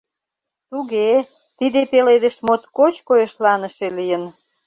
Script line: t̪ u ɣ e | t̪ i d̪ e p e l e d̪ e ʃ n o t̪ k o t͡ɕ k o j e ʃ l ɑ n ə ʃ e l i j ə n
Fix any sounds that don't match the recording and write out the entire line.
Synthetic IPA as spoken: t̪ u ɣ e | t̪ i d̪ e p e l e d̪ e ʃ m o t̪ k o t͡ɕ k o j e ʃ l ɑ n ə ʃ e l i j ə n

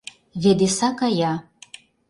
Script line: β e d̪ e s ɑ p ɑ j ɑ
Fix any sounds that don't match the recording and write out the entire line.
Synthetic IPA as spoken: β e d̪ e s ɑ k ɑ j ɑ

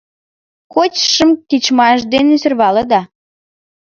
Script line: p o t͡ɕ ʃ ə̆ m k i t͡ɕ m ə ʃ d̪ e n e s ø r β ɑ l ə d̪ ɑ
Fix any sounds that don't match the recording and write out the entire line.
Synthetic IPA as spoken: k o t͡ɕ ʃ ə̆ m k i t͡ɕ m ɑ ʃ d̪ e n e s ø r β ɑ l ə d̪ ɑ

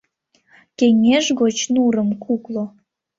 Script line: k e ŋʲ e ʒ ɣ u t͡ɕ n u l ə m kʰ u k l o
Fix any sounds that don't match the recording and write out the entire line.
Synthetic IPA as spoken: k e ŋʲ e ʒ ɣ o t͡ɕ n u ɾ ə m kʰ u k l o

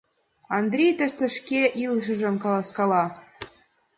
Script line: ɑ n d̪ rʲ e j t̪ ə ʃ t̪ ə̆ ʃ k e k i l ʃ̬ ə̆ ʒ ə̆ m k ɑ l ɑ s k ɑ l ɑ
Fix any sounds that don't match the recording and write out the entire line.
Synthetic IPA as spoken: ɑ n d̪ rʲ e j t̪ ə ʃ t̪ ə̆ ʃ k e ʔ i l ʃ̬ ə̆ ʒ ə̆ m k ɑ l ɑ s k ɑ l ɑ

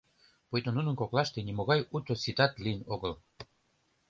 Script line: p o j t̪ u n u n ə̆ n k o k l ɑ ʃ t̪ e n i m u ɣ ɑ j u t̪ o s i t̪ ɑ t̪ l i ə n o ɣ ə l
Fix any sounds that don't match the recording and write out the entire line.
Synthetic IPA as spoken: p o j t̪ o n u n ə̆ n k o k l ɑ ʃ t̪ e n i m o ɣ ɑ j u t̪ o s i t̪ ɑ t̪ l i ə n o ɣ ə l

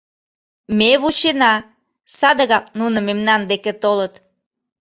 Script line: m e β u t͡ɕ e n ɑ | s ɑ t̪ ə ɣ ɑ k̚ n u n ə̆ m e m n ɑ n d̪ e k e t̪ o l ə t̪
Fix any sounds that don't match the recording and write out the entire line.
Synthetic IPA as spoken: m e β u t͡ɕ e n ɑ | s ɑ d̪ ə ɣ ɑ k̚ n u n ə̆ m e m n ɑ n d̪ e k e t̪ o l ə t̪

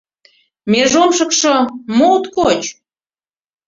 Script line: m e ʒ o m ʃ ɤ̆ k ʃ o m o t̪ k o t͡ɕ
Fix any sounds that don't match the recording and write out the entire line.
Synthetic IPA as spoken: m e ʒ o m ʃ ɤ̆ k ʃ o m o t̪ k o t͡ɕ

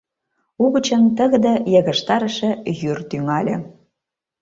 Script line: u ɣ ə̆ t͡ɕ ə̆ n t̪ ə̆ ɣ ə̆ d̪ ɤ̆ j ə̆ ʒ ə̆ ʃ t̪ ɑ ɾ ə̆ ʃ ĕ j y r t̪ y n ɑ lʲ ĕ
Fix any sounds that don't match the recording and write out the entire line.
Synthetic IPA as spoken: u ɣ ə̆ t͡ɕ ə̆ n t̪ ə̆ ɣ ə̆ d̪ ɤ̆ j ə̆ ɣ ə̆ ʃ t̪ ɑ ɾ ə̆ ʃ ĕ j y r t̪ y ŋ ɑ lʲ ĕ

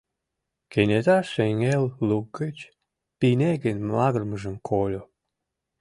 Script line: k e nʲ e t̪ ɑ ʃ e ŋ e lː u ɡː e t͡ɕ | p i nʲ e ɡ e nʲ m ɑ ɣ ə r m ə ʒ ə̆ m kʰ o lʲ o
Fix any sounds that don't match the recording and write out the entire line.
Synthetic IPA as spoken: k e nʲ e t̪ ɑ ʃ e ŋ e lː u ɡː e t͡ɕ | p i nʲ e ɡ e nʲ m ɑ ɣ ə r m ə ʒ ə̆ m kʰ o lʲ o

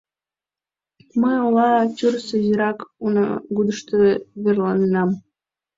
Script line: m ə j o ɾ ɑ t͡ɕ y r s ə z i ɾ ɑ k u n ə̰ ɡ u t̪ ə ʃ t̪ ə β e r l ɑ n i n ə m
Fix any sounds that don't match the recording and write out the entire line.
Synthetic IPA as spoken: m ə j o l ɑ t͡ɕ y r s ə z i ɾ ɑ k u n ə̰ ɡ u d̪ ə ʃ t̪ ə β e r l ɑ n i n ɑ m

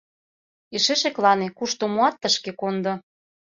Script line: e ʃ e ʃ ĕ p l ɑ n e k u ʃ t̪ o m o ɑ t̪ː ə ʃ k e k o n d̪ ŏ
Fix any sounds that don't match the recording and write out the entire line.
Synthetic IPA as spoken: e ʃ e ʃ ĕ k l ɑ n e k u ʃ t̪ o m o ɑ t̪ː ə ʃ k e k o n d̪ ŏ

